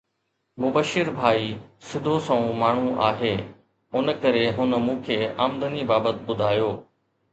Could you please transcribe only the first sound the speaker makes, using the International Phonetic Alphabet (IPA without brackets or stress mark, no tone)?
m